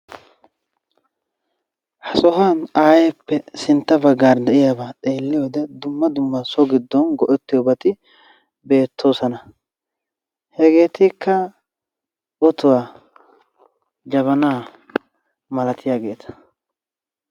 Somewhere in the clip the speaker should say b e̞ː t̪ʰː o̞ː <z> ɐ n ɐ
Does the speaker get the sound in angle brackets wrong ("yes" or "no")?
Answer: yes